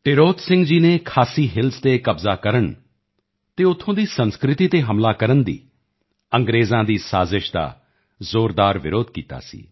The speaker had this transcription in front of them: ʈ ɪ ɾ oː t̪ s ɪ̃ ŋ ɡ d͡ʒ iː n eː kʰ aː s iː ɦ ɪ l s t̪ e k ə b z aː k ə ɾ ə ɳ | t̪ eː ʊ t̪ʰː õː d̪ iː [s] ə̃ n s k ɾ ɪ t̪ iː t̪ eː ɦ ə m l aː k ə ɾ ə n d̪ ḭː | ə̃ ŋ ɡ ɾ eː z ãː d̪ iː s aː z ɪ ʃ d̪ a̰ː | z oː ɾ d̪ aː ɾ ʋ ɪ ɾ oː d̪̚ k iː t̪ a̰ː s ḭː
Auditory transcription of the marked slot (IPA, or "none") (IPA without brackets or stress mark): s